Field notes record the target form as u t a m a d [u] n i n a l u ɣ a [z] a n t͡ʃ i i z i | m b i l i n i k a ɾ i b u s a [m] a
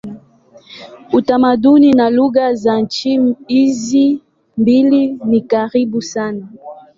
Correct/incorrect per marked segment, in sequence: correct, correct, incorrect

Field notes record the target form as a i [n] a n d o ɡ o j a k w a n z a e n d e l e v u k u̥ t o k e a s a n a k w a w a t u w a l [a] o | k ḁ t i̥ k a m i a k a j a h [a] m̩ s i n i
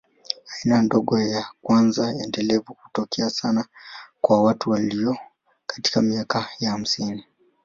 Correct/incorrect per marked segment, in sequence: correct, incorrect, correct

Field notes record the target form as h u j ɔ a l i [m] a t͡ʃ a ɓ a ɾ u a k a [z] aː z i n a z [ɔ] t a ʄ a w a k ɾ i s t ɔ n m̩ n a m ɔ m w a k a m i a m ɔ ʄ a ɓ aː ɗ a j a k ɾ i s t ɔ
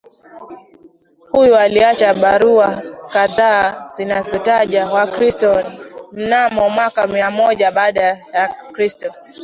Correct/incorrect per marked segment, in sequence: incorrect, incorrect, correct

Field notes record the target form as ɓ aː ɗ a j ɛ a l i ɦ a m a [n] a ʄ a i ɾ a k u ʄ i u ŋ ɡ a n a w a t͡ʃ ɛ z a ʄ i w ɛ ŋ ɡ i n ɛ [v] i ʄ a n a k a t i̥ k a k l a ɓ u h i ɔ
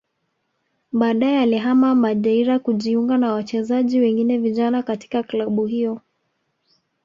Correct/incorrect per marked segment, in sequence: incorrect, correct

